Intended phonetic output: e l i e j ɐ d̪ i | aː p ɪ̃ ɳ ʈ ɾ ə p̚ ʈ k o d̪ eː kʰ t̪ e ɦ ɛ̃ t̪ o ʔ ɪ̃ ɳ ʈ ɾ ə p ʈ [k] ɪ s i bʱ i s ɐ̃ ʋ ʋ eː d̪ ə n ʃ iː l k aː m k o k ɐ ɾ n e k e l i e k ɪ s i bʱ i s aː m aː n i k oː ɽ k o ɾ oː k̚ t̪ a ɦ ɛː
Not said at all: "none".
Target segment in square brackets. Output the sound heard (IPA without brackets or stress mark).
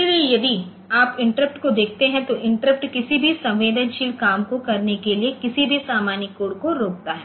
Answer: k